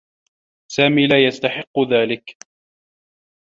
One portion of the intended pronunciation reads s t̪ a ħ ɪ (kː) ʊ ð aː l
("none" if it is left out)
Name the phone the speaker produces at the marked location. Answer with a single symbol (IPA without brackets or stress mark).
qː